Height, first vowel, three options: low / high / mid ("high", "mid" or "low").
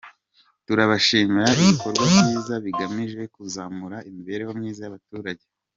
high